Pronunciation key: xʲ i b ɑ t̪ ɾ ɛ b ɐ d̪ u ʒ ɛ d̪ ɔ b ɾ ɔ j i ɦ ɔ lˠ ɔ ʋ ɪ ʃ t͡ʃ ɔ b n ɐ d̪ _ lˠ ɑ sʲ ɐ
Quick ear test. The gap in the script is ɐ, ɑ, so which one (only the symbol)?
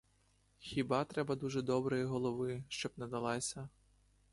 ɐ